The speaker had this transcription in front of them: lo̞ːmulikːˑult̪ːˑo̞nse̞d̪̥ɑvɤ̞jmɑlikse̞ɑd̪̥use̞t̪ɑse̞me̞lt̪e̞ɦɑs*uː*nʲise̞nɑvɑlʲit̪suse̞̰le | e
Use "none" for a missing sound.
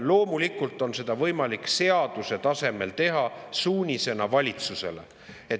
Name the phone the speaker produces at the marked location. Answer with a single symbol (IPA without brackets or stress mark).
uː